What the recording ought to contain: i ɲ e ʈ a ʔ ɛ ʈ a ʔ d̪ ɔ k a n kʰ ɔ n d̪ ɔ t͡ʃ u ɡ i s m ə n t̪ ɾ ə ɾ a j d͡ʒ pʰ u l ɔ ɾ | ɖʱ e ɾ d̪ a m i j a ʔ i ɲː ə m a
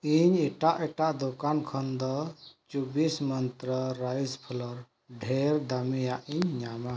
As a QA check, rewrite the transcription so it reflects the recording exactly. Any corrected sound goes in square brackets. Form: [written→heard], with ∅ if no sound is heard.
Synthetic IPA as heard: i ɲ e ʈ a ʔ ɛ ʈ a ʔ d̪ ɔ k a n kʰ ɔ n d̪ ɔ t͡ʃ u [ɡ→b] i s m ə n t̪ ɾ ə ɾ a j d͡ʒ pʰ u l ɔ ɾ | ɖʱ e ɾ d̪ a m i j a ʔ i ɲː [ə→a] m a